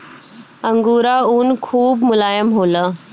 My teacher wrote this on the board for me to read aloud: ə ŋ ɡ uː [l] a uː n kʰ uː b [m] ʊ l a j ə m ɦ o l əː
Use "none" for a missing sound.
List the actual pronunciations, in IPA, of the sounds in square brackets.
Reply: ɾ, m

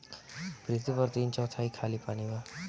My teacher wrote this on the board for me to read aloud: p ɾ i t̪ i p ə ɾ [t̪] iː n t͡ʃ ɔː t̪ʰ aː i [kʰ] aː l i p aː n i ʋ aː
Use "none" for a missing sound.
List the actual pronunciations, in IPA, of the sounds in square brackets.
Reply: t̪, kʰ

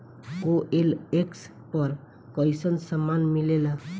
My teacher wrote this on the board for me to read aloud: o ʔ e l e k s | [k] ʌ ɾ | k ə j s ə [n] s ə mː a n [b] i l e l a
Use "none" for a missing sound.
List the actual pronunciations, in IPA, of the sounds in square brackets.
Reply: p, n, m

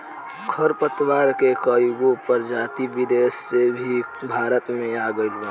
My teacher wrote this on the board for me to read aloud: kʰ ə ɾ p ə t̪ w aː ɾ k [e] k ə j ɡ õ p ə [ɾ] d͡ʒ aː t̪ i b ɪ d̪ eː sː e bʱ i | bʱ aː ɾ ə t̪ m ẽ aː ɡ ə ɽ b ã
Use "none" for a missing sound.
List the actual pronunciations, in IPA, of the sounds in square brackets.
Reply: e, ɾ

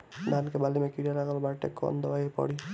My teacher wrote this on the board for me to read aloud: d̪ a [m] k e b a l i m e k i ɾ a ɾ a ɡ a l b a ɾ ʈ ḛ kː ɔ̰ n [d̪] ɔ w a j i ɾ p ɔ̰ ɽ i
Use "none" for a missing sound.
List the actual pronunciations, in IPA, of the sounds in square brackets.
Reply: n, d̪

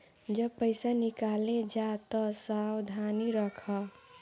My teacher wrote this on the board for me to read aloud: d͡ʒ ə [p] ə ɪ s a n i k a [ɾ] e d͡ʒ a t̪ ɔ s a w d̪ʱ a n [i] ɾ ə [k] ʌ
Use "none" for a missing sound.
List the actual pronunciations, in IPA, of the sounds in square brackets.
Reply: p, l, i, kʰ

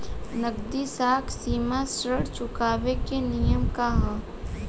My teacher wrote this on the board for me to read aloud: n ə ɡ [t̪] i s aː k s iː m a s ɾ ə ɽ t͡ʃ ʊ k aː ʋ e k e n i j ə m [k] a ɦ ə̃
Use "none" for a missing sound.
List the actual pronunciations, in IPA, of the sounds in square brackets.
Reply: d̪, k

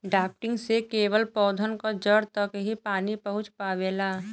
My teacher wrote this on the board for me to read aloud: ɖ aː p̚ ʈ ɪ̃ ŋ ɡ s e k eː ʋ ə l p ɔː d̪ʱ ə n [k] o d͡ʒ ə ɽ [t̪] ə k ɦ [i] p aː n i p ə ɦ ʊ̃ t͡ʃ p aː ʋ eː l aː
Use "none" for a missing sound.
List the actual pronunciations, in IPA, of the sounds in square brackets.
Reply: k, t̪, i

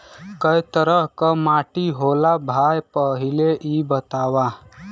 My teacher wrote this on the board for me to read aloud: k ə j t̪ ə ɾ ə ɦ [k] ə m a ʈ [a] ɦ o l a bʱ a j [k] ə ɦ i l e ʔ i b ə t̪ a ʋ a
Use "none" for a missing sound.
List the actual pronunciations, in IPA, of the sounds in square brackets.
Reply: k, i, p

